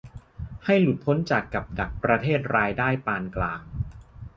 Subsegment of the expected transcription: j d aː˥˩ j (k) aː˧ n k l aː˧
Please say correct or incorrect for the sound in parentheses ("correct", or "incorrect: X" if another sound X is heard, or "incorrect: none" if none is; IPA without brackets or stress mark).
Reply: incorrect: p